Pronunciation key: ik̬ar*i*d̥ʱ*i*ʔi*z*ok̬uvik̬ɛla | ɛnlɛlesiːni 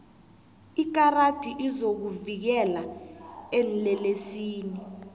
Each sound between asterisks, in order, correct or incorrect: incorrect, correct, correct

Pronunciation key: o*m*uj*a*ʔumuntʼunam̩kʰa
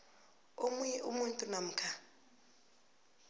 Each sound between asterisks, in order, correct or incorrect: correct, incorrect

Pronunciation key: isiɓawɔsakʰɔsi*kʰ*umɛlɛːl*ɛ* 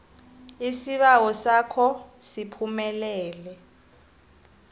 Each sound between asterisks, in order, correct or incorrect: incorrect, correct

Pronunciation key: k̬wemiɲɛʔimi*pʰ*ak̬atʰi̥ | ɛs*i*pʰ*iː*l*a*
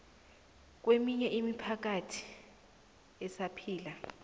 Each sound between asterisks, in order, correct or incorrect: correct, incorrect, correct, correct

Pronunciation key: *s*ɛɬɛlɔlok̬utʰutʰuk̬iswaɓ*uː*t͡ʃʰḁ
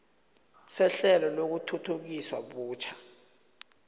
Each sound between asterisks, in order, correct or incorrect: correct, correct

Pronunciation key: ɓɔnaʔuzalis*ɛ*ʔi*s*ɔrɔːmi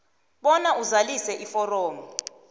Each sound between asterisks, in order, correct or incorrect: correct, incorrect

